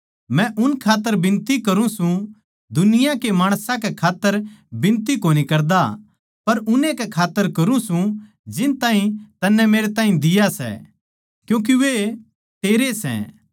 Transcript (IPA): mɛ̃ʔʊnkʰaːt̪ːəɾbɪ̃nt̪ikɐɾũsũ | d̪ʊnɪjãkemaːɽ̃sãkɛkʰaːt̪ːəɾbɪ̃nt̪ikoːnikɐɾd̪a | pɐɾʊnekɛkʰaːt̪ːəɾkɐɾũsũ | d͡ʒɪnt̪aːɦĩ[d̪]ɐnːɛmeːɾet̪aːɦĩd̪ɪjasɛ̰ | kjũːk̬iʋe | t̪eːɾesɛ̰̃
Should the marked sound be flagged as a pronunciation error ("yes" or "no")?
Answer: yes